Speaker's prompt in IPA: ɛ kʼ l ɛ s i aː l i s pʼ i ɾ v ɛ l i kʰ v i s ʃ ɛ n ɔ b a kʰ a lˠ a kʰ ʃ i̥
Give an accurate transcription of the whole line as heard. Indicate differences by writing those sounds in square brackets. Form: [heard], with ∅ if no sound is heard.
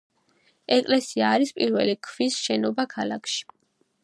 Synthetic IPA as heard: ɛ kʼ l ɛ s i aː [ɾ] i s pʼ i ɾ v ɛ l i kʰ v i s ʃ ɛ n ɔ b a kʰ a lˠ a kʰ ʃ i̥